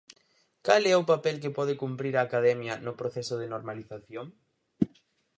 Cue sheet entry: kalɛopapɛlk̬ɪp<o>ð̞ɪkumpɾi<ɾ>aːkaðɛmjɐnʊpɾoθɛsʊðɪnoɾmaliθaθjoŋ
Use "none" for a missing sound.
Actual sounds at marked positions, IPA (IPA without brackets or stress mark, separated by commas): ɔ, ɾ